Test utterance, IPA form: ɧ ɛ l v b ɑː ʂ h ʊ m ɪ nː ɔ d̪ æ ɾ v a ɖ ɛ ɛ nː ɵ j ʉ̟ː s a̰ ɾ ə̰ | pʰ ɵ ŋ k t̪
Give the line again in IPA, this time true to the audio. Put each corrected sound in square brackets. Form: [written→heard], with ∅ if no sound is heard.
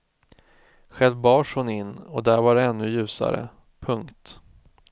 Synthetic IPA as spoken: ɧ ɛ l v b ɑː ʂ h ʊ [m→n] ɪ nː ɔ d̪ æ ɾ v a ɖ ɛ ɛ nː ɵ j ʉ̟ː s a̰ ɾ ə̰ | pʰ ɵ ŋ k t̪